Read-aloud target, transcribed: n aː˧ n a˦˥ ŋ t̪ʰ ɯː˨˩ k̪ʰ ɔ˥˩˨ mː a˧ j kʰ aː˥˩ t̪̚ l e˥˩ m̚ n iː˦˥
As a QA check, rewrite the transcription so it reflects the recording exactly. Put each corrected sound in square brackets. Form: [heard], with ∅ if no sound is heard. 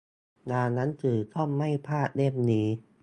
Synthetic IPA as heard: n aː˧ n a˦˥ [n] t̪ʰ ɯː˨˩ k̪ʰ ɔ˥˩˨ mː [a˥˩] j [pʰ] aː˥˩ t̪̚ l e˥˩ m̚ n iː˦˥